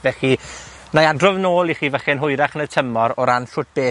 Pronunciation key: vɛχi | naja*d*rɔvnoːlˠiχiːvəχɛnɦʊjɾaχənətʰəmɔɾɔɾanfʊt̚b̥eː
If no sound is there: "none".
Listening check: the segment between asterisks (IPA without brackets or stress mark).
d